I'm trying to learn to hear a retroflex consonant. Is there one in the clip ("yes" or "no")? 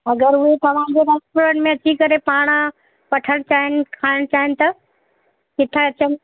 yes